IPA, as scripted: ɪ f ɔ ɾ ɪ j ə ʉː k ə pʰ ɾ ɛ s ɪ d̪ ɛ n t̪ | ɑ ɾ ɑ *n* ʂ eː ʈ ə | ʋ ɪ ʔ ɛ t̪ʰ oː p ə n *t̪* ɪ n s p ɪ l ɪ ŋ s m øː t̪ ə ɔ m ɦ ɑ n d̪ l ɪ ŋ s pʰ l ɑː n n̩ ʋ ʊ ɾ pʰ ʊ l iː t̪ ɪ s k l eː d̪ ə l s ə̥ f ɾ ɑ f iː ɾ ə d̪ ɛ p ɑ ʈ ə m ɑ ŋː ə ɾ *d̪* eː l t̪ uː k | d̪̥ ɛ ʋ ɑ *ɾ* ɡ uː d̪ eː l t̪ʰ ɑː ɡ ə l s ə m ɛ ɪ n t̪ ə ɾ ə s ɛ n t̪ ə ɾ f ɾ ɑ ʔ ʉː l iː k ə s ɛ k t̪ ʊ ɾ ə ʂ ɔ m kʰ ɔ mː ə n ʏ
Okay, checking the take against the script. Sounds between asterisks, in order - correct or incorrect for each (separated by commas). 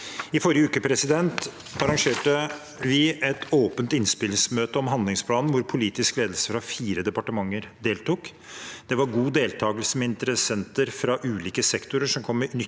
incorrect, correct, correct, correct